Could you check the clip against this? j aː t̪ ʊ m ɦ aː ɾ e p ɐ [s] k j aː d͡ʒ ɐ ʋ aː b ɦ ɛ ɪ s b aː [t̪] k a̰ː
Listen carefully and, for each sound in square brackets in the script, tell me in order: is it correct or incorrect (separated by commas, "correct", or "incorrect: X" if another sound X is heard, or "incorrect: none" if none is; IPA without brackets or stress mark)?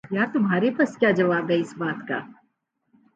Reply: correct, correct